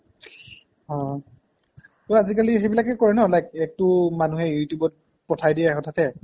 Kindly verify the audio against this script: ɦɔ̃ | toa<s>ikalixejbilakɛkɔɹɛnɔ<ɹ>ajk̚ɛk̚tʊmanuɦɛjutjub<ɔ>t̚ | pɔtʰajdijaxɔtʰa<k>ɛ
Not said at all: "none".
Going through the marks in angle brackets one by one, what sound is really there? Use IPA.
z, l, ɔ, t

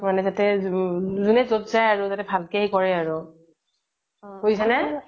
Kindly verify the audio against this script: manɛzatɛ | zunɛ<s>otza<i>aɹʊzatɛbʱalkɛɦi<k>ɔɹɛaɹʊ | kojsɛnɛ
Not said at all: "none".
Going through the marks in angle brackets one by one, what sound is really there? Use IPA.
z, j, k

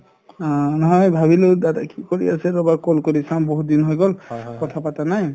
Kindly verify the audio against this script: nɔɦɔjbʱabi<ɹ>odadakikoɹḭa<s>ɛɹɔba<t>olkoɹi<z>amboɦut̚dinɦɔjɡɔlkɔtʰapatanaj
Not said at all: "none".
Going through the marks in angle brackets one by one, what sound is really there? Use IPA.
l, s, k, s

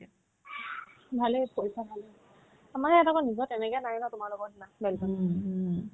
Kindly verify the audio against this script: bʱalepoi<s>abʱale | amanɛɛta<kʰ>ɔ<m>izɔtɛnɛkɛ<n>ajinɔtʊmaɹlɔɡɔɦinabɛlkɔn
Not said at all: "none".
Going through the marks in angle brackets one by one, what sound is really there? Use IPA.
s, k, n, n

